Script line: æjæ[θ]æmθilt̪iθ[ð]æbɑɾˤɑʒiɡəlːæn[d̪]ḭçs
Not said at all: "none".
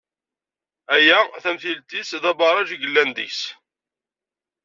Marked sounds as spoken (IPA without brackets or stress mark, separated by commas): θ, ð, d̪